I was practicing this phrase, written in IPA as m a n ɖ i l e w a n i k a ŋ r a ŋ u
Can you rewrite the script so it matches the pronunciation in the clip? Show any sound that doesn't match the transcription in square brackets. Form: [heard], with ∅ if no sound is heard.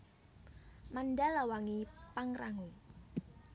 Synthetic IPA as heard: m a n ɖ [a] l [a] w a [ŋ] i [p] a ŋ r a ŋ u